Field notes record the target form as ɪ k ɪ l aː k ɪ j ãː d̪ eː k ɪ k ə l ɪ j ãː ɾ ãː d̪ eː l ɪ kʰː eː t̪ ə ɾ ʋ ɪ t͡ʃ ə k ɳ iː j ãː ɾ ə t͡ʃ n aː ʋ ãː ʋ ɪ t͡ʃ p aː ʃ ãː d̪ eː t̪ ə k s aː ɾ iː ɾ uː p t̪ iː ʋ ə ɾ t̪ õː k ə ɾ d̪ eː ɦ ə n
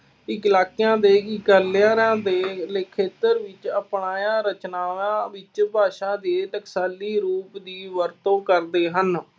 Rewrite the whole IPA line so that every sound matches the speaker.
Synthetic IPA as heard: ɪ k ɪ l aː k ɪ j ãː d̪ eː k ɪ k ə l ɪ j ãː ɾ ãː d̪ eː l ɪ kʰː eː t̪ ə ɾ ʋ ɪ t͡ʃ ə p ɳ aː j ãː ɾ ə t͡ʃ n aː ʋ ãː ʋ ɪ t͡ʃ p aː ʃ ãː d̪ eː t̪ ə k s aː l iː ɾ uː p d̪ iː ʋ ə ɾ t̪ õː k ə ɾ d̪ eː ɦ ə n